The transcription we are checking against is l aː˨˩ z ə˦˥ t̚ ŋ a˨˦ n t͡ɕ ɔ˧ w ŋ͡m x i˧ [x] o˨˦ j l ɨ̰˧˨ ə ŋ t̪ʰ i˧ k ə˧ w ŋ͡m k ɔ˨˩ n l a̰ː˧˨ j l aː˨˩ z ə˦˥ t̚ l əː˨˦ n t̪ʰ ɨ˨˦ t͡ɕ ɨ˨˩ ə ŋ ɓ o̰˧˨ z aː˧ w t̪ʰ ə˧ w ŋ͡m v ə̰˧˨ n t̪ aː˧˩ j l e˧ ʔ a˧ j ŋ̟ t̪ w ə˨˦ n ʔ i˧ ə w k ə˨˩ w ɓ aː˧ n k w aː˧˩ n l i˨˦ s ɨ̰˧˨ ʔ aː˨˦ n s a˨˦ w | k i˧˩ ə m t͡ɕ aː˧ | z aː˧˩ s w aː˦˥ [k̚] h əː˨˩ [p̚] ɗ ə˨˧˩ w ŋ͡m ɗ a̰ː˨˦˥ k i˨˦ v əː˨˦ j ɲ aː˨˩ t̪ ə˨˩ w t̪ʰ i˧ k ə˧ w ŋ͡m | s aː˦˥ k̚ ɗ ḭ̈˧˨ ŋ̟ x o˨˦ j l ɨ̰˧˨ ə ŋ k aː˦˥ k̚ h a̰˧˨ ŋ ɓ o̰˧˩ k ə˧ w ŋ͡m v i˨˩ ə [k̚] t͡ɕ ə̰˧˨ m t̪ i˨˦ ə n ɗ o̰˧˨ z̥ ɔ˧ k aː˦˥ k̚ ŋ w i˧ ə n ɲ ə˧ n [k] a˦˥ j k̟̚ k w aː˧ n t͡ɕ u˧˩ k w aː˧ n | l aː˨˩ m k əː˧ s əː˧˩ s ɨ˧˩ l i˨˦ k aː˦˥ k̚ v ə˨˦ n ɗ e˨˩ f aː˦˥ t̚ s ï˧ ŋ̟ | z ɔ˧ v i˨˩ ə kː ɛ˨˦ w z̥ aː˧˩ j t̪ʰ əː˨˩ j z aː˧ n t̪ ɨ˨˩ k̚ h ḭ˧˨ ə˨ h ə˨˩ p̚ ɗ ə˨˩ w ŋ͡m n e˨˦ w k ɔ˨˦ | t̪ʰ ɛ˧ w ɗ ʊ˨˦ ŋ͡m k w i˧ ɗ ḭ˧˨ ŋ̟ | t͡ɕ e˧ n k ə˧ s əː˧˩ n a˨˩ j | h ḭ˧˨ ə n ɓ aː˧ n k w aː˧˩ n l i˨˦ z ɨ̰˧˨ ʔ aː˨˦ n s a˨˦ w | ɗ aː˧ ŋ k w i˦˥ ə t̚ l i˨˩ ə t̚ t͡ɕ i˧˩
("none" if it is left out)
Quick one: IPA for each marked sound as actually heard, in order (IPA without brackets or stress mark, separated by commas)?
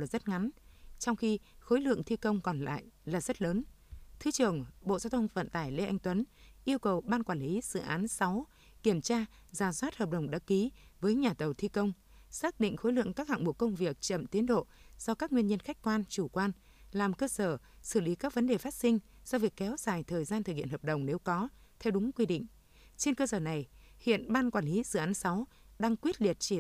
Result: x, t̚, p̚, k̚, x